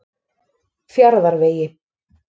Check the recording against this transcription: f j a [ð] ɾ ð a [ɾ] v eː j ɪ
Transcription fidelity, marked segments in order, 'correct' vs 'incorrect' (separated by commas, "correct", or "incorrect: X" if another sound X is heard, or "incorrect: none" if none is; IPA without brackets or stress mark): incorrect: none, correct